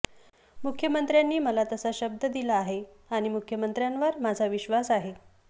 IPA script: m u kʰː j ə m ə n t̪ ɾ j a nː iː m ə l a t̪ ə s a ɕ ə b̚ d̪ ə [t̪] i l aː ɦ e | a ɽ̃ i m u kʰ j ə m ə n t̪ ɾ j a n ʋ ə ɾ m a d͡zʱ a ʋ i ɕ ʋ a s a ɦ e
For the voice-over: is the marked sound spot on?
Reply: no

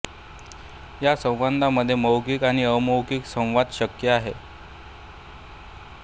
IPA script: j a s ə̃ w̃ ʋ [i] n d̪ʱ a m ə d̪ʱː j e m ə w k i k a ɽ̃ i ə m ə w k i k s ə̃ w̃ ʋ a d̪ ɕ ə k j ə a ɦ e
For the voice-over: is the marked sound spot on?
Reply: no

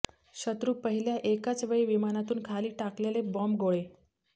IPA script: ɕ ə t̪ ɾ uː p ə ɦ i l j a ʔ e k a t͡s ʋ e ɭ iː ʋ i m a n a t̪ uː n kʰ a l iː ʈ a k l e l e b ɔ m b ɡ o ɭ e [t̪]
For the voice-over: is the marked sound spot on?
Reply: no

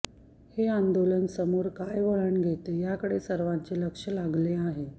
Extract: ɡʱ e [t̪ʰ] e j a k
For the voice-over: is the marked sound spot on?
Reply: no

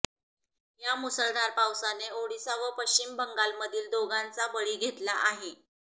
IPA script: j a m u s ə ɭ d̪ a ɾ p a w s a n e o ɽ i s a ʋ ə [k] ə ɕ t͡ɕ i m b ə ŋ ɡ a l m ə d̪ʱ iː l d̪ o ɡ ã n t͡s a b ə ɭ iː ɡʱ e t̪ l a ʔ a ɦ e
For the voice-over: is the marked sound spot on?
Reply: no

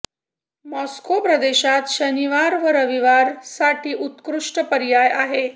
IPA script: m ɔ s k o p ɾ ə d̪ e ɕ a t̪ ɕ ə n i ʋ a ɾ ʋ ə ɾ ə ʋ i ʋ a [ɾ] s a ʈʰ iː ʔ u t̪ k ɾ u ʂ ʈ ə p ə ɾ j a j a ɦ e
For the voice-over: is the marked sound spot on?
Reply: yes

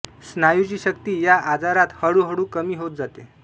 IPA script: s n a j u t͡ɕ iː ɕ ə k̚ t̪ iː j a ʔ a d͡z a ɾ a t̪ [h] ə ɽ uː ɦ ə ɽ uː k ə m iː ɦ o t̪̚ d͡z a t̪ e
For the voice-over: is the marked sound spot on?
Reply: yes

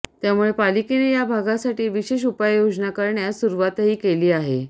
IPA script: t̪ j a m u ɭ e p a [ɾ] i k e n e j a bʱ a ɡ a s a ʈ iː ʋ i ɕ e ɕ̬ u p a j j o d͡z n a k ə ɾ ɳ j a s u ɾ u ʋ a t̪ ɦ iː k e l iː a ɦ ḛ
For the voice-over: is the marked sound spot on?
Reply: no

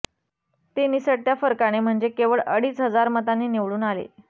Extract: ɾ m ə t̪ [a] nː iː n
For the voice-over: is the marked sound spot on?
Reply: yes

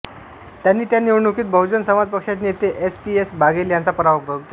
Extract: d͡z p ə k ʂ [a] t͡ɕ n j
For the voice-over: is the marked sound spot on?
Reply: yes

